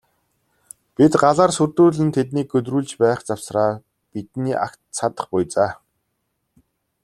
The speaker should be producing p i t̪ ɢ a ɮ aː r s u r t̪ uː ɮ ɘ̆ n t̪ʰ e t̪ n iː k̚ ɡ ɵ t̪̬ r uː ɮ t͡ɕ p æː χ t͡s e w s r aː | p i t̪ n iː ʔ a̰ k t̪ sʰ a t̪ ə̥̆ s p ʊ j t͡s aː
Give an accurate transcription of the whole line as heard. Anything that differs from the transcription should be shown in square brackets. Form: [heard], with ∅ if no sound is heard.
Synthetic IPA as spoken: p i t̪ ɢ a ɮ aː r s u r t̪ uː ɮ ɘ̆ n t̪ʰ e t̪ n iː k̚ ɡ ɵ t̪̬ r uː ɮ t͡ɕ p æː χ t͡s [a] w s r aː | p i t̪ n iː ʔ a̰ k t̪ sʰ a t̪ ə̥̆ [χ] p ʊ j t͡s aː